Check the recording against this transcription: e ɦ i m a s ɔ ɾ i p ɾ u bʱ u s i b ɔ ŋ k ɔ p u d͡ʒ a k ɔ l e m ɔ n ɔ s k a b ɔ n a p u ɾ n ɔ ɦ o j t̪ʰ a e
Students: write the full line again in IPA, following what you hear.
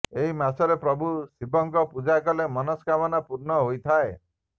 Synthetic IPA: e ɦ i m a s ɔ ɾ e p ɾ ɔ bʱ u s i b ɔ ŋ k ɔ p u d͡ʒ a k ɔ l e m ɔ n ɔ s k a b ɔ n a p u ɾ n ɔ ɦ o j t̪ʰ a e